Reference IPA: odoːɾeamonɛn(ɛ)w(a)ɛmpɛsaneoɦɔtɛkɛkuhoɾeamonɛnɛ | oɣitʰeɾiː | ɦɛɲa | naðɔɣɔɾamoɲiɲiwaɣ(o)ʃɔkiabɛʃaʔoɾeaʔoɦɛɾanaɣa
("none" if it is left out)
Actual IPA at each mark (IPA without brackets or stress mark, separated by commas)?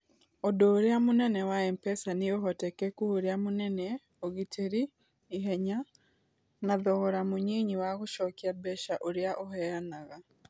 ɛ, a, o